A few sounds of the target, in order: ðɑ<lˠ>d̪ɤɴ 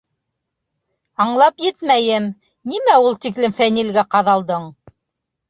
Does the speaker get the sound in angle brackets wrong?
no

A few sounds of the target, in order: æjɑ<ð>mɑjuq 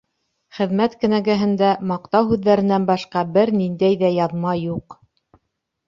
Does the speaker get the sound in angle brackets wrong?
no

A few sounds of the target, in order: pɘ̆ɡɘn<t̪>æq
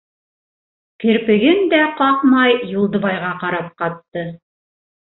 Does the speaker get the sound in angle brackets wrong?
yes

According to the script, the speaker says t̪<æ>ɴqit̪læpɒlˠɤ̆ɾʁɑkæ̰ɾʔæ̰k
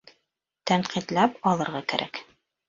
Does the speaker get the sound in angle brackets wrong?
no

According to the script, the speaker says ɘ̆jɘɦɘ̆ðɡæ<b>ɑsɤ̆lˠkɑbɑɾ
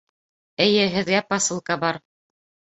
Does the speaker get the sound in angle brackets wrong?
yes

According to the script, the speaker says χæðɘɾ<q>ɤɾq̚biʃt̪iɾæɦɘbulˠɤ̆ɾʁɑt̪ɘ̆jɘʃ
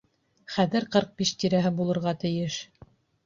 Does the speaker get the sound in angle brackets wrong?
no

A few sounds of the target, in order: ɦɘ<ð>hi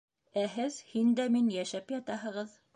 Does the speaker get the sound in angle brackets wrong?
no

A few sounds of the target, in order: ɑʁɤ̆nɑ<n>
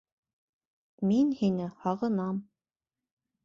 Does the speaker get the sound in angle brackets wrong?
yes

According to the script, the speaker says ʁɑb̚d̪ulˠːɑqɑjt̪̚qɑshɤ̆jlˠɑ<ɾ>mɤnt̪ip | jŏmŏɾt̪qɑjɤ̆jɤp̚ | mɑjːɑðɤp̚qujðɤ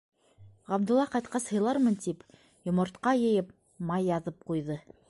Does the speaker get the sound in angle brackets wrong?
no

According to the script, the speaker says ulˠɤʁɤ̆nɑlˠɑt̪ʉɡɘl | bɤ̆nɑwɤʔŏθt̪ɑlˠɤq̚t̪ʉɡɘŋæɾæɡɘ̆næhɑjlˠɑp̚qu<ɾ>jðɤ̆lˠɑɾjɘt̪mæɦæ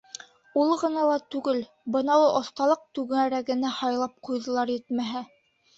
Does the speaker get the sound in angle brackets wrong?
yes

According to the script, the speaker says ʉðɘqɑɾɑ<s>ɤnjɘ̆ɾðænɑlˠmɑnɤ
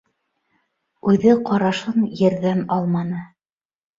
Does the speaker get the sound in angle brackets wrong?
yes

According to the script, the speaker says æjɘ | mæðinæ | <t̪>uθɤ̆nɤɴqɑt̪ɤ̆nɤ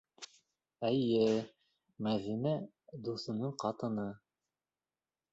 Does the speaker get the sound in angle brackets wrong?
yes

